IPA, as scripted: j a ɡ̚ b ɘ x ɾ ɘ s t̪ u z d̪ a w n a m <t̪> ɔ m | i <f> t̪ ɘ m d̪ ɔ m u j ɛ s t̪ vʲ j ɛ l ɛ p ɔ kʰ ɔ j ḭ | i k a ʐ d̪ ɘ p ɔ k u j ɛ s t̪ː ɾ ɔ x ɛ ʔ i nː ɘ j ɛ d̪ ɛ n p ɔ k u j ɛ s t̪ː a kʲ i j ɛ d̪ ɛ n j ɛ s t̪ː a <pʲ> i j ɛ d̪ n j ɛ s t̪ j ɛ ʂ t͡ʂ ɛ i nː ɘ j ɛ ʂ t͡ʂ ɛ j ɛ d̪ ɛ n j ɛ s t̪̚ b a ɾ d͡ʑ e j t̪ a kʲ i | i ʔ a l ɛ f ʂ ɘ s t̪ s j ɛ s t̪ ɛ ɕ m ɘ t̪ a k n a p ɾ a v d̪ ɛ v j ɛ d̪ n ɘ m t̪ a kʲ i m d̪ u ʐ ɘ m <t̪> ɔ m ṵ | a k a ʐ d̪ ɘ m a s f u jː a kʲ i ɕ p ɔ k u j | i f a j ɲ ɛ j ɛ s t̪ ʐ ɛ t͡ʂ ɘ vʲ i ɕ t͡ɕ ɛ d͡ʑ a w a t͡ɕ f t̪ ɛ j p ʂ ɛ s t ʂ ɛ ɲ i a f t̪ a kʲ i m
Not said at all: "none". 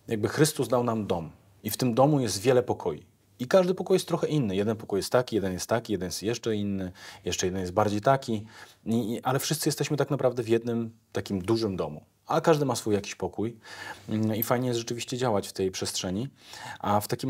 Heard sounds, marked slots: d̪, f, kʲ, d̪

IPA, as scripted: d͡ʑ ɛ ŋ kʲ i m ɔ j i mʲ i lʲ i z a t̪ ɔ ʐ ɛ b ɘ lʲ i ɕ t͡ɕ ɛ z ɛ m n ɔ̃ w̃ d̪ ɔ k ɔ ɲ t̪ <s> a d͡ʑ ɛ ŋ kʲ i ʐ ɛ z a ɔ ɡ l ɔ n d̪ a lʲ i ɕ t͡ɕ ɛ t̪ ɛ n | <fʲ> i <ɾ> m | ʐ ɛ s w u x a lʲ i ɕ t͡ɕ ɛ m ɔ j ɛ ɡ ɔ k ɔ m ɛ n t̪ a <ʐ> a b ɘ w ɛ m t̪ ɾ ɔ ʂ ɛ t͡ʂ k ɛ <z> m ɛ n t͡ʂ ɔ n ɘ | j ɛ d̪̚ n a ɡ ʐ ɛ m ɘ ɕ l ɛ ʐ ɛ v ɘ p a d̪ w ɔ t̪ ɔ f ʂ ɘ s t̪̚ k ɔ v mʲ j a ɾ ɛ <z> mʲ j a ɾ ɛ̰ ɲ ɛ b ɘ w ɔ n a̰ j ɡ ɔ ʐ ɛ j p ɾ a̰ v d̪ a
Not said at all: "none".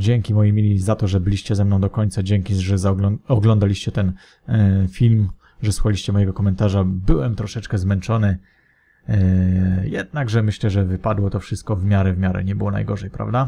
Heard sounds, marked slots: s, fʲ, l, ʐ, z, v

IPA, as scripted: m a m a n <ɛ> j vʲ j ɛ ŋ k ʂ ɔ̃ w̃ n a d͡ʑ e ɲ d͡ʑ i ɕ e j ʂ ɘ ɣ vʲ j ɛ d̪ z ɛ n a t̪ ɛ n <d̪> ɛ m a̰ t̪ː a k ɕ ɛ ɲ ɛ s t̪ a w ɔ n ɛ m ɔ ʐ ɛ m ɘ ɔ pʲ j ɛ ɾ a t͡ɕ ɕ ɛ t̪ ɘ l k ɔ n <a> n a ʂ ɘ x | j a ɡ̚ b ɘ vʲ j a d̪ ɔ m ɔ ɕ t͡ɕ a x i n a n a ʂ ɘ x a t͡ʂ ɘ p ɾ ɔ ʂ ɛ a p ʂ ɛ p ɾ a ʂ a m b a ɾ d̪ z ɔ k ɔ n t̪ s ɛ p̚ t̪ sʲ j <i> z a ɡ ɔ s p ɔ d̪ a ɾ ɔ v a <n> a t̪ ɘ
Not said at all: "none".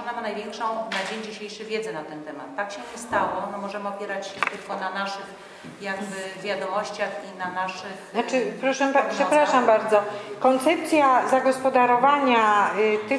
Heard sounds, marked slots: a, t̪, a, a, ɲ

